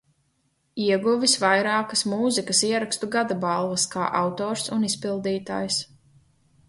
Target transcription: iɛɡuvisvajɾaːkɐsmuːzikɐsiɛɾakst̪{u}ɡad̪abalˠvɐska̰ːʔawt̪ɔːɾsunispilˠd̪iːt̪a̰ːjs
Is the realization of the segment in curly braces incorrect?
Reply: no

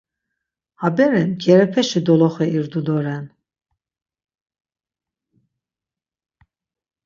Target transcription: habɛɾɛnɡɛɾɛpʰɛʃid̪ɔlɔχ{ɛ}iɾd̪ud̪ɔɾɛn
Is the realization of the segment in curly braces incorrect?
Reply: no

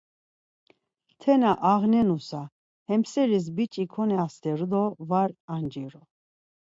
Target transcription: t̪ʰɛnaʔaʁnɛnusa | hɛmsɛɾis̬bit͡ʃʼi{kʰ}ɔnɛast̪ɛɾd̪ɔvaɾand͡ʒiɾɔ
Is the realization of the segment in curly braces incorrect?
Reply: no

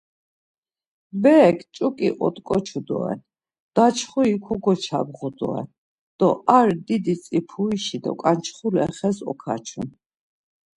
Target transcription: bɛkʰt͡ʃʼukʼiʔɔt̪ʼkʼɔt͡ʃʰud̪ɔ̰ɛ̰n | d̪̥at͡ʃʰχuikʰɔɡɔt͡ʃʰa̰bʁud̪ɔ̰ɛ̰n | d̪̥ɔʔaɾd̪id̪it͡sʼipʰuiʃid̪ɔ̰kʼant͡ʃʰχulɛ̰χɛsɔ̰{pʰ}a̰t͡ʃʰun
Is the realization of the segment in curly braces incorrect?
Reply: yes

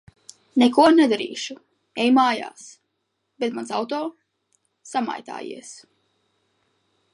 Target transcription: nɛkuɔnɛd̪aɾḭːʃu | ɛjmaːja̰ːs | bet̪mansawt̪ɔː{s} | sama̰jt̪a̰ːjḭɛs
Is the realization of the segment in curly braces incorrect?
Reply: yes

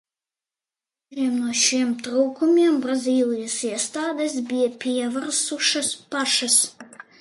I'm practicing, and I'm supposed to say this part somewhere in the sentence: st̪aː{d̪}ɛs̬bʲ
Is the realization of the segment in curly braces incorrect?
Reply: no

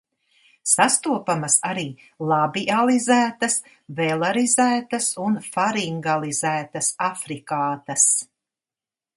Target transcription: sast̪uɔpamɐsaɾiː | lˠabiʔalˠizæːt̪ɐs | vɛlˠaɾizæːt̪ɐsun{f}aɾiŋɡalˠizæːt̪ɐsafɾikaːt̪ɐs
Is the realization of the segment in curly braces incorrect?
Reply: no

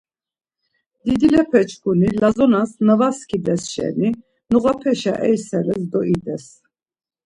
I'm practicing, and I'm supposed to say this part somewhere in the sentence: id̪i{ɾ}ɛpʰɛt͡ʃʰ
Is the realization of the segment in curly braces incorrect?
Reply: yes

